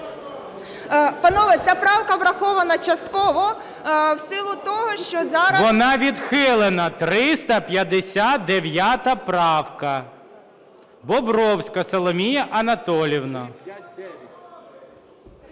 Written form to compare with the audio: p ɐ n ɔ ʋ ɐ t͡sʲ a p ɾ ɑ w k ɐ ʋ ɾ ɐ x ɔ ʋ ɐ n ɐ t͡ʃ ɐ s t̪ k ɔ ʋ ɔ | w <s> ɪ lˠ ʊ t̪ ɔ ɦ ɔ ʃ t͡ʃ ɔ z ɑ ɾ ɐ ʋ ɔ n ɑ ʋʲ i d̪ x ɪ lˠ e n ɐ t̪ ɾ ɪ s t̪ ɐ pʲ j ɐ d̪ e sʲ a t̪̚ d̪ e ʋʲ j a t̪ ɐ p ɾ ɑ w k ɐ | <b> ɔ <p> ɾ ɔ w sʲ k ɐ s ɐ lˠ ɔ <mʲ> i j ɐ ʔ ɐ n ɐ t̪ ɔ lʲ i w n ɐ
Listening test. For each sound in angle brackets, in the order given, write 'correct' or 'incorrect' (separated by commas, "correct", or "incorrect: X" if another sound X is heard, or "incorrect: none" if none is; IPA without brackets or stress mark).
correct, correct, incorrect: b, correct